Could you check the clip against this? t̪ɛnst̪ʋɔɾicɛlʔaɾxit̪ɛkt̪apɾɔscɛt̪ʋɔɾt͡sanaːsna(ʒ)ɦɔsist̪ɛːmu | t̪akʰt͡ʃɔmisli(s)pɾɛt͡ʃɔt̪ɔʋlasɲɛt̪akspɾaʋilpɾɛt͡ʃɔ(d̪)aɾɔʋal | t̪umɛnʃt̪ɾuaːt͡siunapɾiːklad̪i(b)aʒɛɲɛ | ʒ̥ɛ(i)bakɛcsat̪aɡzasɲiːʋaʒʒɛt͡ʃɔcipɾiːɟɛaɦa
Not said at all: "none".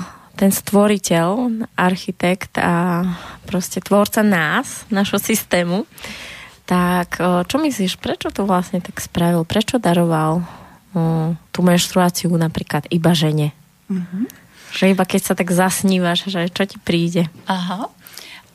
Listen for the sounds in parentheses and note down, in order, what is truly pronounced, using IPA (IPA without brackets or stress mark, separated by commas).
ʒ, ʃ, d̪, b, i